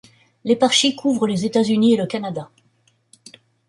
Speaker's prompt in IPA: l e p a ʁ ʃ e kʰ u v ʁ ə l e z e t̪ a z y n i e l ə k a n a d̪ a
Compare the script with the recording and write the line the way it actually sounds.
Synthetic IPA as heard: l e p a ʁ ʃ i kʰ u v ʁ ə l e z e t̪ a z y n i e l ə k a n a d̪ a